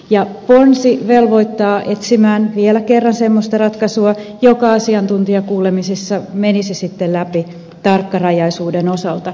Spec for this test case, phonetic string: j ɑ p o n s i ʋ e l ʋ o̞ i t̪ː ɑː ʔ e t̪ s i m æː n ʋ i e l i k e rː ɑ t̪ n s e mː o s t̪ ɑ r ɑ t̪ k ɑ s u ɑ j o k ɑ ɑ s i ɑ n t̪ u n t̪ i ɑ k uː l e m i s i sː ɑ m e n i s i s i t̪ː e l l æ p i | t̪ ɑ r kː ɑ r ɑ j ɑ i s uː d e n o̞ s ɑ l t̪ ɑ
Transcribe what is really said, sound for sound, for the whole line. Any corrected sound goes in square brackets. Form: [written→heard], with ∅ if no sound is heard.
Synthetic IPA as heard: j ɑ p o n s i ʋ e l ʋ o̞ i t̪ː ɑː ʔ e t̪ s i m æː n ʋ i e l [i→æ] k e rː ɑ [t̪→∅] n s e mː o s t̪ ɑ r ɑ t̪ k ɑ s u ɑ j o k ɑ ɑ s i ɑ n t̪ u n t̪ i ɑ k uː l e m i s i sː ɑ m e n i s i s i t̪ː e l l æ p i | t̪ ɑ r kː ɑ r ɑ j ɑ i s uː d e n o̞ s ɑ l t̪ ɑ